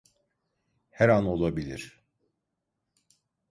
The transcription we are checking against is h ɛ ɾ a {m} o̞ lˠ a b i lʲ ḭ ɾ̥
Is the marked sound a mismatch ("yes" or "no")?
yes